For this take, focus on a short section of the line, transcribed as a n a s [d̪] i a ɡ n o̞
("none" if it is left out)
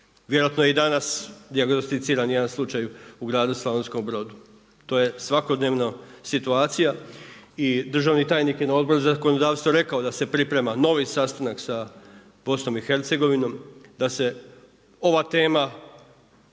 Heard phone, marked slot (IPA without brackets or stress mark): d̪